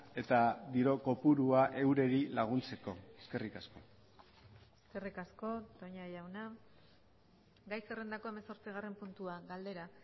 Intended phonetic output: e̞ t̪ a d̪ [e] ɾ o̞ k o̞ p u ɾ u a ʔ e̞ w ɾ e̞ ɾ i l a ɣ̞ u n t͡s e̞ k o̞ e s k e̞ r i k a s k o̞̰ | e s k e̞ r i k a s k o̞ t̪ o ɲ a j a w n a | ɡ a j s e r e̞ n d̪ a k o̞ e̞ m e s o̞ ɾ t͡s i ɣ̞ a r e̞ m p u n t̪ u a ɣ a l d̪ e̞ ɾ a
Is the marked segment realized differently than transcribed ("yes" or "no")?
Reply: yes